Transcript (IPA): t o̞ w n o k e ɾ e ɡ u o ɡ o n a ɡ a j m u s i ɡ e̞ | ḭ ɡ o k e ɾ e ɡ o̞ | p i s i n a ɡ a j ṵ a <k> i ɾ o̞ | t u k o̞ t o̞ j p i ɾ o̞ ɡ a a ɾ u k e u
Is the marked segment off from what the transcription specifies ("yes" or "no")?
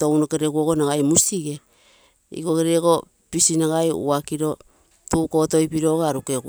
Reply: no